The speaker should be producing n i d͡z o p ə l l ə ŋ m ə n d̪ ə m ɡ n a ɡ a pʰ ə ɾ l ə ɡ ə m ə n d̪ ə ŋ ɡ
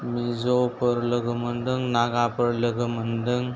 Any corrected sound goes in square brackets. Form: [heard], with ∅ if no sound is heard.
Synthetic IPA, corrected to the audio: [m] i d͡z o p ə [ɾ] l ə [ɡ] m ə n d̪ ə [ŋ] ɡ n a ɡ a [p] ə ɾ l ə ɡ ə m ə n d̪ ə ŋ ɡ